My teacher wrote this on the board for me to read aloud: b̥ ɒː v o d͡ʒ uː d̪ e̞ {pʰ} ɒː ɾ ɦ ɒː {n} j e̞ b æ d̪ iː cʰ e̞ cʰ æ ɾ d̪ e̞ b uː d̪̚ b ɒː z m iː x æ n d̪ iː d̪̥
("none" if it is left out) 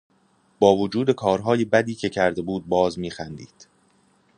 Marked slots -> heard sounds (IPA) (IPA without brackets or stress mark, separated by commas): kʰ, none